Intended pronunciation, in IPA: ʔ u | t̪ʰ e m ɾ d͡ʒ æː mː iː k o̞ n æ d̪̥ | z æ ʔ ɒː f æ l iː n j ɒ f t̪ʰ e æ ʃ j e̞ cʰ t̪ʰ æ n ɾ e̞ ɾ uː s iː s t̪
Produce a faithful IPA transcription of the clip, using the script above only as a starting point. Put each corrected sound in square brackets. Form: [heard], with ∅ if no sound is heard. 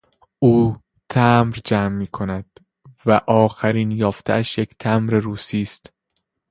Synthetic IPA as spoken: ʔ [uː] | t̪ʰ [æ] m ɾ d͡ʒ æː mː iː [kʰ] o̞ n æ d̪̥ | [v] æ ʔ ɒː [x] æ [ɾ] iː n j [ɒː] f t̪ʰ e æ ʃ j e̞ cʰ t̪ʰ æ [m] ɾ e̞ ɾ uː s iː s t̪